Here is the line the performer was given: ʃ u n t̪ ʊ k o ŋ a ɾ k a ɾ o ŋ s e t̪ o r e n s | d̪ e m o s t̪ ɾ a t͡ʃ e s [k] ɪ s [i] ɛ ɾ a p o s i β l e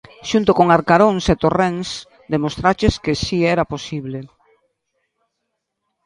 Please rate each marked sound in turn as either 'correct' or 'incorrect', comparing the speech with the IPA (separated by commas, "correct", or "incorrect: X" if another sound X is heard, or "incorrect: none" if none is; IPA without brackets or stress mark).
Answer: correct, correct